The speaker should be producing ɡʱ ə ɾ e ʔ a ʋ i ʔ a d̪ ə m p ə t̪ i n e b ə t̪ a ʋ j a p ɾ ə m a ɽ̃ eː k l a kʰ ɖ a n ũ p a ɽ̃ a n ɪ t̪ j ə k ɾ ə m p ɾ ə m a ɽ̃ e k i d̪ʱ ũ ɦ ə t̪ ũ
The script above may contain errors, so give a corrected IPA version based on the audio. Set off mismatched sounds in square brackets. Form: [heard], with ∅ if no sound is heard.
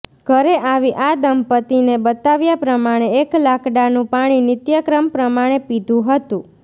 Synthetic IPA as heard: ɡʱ ə ɾ e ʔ a ʋ i ʔ a d̪ ə m p ə t̪ i n e b ə t̪ a ʋ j a p ɾ ə m a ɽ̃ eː k l a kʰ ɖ a n ũ p a ɽ̃ [i] n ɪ t̪ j ə k ɾ ə m p ɾ ə m a ɽ̃ e [p] i d̪ʱ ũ ɦ ə t̪ ũ

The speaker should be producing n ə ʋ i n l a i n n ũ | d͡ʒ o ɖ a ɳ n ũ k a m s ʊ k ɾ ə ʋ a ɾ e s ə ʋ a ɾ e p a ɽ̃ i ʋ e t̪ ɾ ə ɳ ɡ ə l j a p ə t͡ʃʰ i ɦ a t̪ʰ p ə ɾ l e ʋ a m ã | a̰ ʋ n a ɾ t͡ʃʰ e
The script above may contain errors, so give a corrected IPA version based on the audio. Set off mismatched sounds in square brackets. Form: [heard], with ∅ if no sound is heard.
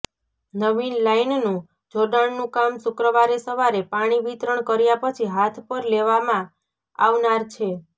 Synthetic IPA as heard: n ə ʋ i n l a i n n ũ | d͡ʒ o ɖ a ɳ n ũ k a m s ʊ k ɾ ə ʋ a ɾ e s ə ʋ a ɾ e p a ɽ̃ i ʋ [i] t̪ ɾ ə ɳ [k] ə [ɾ] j a p ə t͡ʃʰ i ɦ a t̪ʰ p ə ɾ l e ʋ a m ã | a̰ ʋ n a ɾ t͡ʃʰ e

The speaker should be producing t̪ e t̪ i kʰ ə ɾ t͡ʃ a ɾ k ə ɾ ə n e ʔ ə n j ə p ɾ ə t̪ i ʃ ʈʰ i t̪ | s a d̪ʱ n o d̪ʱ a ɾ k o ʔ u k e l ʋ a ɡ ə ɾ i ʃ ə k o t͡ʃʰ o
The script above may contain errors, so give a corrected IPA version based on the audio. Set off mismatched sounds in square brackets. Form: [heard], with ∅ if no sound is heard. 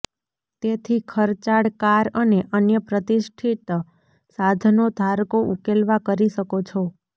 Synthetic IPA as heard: t̪ e [t̪ʰ] i kʰ ə ɾ t͡ʃ a [ɽ] k [a] ɾ ə n e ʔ ə n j ə p ɾ ə t̪ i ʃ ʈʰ i t̪ | s a d̪ʱ n o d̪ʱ a ɾ k o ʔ u k e l ʋ a [k] ə ɾ i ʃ ə k o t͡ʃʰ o

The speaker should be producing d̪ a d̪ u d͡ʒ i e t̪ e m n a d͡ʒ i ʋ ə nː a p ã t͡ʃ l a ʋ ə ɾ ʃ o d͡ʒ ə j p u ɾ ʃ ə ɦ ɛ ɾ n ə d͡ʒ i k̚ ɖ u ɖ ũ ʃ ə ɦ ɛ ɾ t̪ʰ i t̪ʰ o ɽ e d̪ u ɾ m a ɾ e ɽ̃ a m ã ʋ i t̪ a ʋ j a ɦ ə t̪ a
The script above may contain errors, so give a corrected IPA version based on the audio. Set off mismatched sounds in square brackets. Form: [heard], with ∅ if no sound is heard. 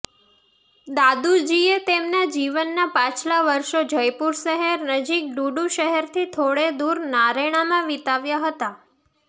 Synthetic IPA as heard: d̪ a d̪ u d͡ʒ i e t̪ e m n a d͡ʒ i ʋ ə nː a p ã t͡ʃ l a ʋ ə ɾ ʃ o d͡ʒ ə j p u ɾ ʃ ə ɦ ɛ ɾ n ə d͡ʒ i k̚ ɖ u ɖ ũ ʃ ə ɦ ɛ ɾ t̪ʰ i t̪ʰ o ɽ e d̪ u ɾ [n] a ɾ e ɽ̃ a m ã ʋ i t̪ a ʋ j a ɦ ə t̪ a

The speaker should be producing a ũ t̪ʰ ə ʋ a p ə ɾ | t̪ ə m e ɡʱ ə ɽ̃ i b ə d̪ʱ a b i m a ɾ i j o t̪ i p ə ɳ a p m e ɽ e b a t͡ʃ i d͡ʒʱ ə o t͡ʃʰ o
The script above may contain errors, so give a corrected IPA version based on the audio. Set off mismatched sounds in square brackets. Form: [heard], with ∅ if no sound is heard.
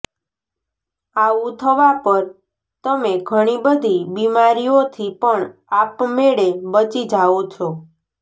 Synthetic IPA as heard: a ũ t̪ʰ ə ʋ a p ə ɾ | t̪ ə m e ɡʱ ə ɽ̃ i b ə d̪ʱ [i] b i m a ɾ i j o [t̪ʰ] i p ə ɳ a p m e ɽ e b [ə] t͡ʃ i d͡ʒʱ [a] o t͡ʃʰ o

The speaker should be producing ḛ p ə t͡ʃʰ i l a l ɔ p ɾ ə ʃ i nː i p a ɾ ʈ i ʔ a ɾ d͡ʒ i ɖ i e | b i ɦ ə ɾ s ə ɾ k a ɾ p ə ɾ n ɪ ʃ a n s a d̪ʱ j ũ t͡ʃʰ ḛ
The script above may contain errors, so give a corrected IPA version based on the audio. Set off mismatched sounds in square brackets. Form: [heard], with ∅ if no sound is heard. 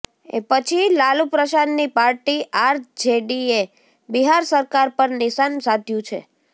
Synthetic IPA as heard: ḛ p ə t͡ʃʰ i l a l [u] p ɾ ə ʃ [a] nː i p a ɾ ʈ i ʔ a ɾ d͡ʒ [e] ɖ i e | b i ɦ [a] ɾ s ə ɾ k a ɾ p ə ɾ n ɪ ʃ a n s a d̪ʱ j ũ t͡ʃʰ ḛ

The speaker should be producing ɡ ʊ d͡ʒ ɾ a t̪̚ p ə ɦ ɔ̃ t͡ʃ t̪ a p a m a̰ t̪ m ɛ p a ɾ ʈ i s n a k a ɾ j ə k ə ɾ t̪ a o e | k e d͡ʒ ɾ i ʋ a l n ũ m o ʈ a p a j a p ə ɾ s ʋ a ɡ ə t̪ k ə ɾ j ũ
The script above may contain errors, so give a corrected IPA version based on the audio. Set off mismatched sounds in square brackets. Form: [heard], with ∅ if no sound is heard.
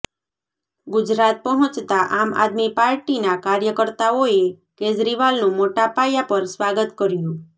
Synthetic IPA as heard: ɡ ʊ d͡ʒ ɾ a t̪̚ p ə ɦ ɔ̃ t͡ʃ t̪ a [ʔ] a m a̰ [d̪] m [i] p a ɾ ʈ i [∅] n a k a ɾ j ə k ə ɾ t̪ a o e | k e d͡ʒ ɾ i ʋ a l n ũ m o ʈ a p a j a p ə ɾ s ʋ a ɡ ə t̪ k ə ɾ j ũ

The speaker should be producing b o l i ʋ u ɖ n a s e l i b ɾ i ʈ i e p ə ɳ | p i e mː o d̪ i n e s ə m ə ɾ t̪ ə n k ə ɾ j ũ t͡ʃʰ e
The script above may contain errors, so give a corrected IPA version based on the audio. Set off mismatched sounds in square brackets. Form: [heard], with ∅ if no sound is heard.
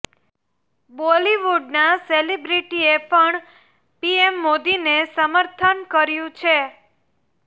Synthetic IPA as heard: b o l i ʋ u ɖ n a s e l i b ɾ i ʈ i e p ə ɳ | p i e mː o d̪ i n e s ə m ə ɾ [t̪ʰ] ə n k ə ɾ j ũ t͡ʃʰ e

